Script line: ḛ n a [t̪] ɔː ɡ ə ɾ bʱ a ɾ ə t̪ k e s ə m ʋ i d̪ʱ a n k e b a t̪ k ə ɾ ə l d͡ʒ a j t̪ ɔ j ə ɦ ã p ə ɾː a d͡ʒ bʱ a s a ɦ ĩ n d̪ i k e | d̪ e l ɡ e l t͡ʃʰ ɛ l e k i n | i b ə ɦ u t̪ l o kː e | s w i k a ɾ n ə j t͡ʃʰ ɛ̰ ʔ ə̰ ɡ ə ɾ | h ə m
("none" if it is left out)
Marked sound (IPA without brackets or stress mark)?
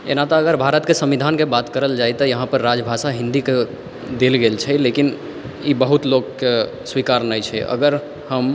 t̪